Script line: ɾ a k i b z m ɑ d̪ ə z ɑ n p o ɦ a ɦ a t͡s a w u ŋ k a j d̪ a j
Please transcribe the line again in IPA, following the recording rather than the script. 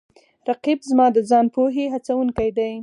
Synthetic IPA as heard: ɾ a q i b z m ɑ d̪ ə z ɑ n p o ɦ e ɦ a t͡s a w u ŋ k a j d̪ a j